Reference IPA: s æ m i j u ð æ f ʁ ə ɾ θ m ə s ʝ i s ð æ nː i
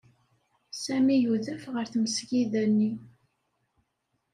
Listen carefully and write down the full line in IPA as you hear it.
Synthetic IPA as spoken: s æ m i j u ð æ f ʁ ə ɾ θ m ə s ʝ i ð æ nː i